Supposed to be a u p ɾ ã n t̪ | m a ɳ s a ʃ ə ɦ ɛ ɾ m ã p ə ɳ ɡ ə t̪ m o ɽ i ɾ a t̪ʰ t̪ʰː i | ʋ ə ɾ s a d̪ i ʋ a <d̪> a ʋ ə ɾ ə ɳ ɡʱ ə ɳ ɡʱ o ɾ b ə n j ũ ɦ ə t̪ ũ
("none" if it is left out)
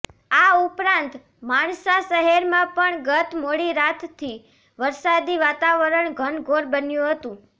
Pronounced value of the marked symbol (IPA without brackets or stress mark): t̪